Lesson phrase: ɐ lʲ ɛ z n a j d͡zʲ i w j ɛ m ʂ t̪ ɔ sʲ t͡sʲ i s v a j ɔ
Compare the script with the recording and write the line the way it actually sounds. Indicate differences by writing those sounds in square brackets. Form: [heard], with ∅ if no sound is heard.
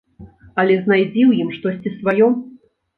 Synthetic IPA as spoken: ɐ lʲ ɛ z n a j d͡zʲ i w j [i] m ʂ t̪ ɔ sʲ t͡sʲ i s v a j ɔ